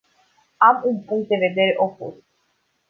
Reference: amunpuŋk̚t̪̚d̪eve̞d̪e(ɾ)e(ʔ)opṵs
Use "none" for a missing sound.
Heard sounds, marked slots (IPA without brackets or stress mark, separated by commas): ɾ, ʔ